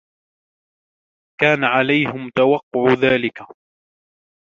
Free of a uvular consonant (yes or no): no